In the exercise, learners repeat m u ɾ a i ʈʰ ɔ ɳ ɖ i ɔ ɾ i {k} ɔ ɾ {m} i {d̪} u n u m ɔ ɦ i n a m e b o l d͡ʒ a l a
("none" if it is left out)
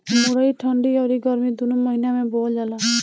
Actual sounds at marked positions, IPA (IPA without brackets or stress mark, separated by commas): ɡ, m, d̪